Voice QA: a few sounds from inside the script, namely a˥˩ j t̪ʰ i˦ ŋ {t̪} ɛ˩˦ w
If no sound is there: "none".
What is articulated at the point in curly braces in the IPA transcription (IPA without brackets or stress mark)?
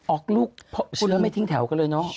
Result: t̪ʰ